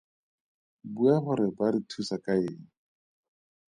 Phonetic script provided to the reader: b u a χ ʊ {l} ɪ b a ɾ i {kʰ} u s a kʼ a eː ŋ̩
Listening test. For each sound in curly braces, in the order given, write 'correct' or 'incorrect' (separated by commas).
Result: incorrect, incorrect